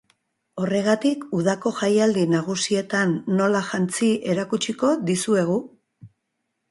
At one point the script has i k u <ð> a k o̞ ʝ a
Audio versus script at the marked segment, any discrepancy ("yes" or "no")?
no